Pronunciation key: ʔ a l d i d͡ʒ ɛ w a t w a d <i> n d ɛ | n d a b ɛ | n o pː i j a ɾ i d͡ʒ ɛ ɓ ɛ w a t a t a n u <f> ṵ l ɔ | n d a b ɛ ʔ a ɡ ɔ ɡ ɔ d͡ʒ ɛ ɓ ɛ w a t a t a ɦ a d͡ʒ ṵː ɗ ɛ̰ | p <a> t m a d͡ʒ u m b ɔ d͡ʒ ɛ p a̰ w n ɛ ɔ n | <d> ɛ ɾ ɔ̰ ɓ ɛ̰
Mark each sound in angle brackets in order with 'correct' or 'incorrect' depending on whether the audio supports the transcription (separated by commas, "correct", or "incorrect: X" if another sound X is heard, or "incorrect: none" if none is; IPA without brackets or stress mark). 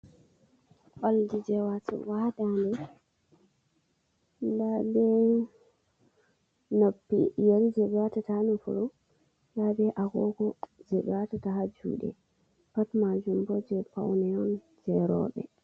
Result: incorrect: a, correct, correct, incorrect: d͡ʒ